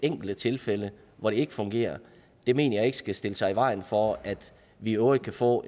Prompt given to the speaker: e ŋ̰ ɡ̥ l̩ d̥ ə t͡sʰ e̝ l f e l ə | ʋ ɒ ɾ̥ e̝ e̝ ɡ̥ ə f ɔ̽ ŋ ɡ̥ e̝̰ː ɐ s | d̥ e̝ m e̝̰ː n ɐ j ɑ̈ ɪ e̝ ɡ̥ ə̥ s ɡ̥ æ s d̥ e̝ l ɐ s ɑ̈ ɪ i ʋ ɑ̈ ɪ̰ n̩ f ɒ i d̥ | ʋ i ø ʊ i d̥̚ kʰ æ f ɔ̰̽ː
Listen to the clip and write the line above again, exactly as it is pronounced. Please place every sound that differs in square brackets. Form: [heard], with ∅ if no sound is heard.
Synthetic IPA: e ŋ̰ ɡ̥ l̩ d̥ ə t͡sʰ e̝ l f e l ə | ʋ ɒ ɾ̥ e̝ e̝ ɡ̥ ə f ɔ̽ ŋ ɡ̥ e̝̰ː ɐ [∅] | d̥ e̝ m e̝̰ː n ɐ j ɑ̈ ɪ e̝ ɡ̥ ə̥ s ɡ̥ æ s d̥ e̝ l [ə] s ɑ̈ ɪ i ʋ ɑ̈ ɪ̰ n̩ f ɒ [æ] d̥ | ʋ i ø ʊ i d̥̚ kʰ æ f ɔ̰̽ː